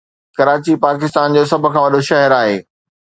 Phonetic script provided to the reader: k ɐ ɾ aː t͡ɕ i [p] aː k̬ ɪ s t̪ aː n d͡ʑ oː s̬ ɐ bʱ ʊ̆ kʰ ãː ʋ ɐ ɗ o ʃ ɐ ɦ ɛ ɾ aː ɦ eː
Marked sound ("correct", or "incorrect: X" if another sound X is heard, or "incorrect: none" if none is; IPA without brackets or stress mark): correct